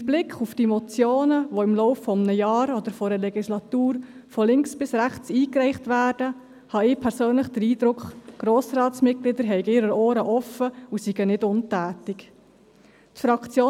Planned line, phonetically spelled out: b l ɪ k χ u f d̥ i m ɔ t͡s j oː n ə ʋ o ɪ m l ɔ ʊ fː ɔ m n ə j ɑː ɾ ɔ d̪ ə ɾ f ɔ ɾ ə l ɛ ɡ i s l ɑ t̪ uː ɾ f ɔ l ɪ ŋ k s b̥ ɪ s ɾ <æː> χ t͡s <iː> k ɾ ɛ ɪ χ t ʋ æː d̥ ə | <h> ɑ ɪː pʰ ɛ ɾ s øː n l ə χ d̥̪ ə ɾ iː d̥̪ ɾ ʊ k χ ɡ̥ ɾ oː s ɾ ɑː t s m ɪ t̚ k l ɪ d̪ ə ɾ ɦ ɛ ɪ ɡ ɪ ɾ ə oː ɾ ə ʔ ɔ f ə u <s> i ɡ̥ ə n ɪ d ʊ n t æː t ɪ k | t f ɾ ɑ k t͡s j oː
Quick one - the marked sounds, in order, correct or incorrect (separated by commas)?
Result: incorrect, correct, correct, correct